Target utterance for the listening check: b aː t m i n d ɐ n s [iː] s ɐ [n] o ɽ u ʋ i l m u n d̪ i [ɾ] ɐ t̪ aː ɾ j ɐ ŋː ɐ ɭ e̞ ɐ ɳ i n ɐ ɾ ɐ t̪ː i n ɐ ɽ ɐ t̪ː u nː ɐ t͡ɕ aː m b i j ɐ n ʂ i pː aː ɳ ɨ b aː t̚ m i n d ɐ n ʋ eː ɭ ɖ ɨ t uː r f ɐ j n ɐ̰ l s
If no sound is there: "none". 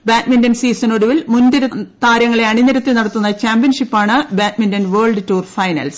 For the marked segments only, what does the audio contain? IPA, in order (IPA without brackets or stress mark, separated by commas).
iː, n, ɾ